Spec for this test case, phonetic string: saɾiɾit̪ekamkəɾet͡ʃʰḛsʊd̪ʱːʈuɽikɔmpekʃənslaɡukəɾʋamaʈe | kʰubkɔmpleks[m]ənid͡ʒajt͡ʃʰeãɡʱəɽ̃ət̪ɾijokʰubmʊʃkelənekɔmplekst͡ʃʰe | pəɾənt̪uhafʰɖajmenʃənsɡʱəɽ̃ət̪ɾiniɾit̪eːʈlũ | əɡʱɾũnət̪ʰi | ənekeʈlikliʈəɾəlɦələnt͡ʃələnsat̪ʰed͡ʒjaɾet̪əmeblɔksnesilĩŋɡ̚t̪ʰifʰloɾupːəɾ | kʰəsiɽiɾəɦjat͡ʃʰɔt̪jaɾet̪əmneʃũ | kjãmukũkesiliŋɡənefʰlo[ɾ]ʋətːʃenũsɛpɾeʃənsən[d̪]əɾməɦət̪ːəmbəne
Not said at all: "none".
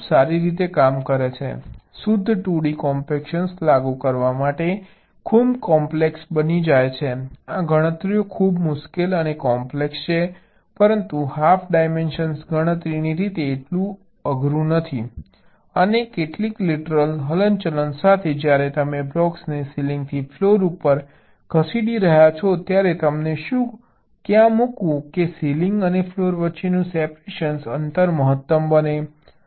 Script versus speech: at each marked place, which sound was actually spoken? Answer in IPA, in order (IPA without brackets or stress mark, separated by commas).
b, ɾ, t̪